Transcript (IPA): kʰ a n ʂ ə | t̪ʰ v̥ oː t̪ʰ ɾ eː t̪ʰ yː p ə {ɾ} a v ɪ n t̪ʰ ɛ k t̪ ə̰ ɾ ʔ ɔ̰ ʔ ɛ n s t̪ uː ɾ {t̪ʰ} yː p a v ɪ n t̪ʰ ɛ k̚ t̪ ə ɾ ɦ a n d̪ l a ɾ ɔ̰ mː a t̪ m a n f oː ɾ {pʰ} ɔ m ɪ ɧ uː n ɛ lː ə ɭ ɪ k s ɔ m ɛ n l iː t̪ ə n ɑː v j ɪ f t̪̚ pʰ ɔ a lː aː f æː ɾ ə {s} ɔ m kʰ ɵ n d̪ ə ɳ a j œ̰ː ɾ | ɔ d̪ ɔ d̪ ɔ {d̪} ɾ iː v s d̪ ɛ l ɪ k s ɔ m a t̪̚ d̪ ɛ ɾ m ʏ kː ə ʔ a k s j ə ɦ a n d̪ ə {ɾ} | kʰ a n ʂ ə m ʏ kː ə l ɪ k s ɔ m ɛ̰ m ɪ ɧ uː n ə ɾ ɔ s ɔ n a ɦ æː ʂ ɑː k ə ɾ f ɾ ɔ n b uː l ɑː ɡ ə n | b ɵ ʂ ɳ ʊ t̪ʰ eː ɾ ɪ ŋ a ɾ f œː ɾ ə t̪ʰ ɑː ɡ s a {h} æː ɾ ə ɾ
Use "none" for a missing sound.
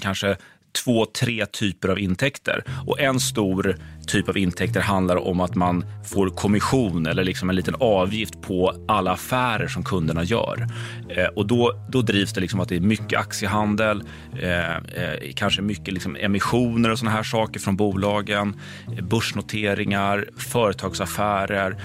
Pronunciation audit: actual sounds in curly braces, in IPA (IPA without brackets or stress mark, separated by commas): ɾ, t̪ʰ, kʰ, ʂ, d̪, l, f